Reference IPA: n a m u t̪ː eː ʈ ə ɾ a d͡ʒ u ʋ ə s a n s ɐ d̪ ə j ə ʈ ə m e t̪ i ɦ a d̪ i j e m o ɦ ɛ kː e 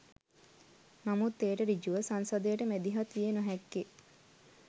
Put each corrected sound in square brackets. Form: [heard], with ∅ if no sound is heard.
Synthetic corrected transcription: n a m u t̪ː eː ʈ ə ɾ [i] d͡ʒ u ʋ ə s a n s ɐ d̪ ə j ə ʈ ə m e [d̪] i ɦ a [t̪] i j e [n] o ɦ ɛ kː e